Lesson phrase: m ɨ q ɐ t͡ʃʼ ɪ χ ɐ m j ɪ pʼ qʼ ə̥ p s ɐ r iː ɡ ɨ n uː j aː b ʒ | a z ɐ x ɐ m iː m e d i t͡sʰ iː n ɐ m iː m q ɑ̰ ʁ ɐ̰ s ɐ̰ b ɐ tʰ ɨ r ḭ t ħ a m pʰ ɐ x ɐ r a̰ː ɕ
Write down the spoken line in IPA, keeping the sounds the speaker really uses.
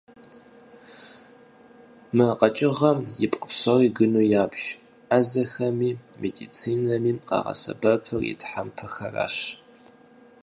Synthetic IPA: m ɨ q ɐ t͡ʃʼ ɪ ʁ ɐ m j ɪ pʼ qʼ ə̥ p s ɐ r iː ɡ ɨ n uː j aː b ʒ | a z ɐ x ɐ m iː m e d i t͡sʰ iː n ɐ m iː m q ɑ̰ ʁ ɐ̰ s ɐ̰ b ɐ pʰ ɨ r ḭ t ħ a m pʰ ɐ x ɐ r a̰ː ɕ